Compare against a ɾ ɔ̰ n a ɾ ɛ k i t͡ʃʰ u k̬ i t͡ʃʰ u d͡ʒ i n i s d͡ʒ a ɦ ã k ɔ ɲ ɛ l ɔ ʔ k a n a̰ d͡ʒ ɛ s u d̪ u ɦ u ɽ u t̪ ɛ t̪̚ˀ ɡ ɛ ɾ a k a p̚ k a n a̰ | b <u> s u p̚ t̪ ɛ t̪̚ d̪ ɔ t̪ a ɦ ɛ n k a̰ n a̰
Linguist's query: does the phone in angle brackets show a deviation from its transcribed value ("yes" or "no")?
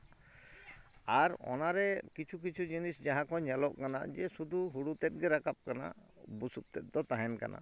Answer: no